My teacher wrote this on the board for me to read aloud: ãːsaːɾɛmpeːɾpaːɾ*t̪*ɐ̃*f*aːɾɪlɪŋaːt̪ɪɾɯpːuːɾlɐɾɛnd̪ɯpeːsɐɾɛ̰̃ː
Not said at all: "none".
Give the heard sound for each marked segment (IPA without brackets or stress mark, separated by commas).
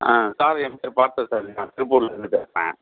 t̪, s